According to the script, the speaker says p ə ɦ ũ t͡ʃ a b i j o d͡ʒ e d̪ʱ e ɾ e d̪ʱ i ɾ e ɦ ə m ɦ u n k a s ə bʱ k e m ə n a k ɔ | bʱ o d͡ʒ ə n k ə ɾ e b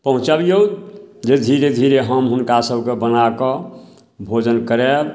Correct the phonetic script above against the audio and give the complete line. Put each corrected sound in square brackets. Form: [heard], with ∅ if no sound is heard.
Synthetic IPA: p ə ɦ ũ t͡ʃ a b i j o d͡ʒ e d̪ʱ [i] ɾ e d̪ʱ i ɾ e ɦ ə m ɦ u n k a s ə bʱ k e [b] ə n a k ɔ | bʱ o d͡ʒ ə n k ə ɾ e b